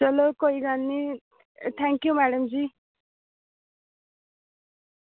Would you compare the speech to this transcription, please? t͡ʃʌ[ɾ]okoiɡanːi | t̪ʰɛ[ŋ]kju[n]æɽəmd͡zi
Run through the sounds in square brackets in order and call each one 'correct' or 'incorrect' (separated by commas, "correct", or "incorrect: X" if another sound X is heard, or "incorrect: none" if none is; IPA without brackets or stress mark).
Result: incorrect: l, correct, incorrect: m